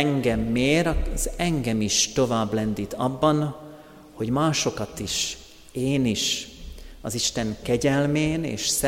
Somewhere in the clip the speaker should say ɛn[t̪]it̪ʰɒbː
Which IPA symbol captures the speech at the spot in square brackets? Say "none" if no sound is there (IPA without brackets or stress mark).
d̪